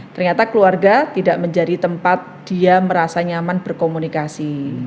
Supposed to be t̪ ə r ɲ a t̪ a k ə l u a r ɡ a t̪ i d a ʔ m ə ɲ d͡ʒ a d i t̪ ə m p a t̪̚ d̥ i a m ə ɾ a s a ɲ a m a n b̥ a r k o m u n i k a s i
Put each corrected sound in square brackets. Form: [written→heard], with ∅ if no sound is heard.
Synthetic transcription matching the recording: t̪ ə r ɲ a t̪ a k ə l u a r ɡ a t̪ i d a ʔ m ə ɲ d͡ʒ a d i t̪ ə m p a t̪̚ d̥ i a m ə ɾ a s a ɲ a m a n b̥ [a→ə] r k o m u n i k a s i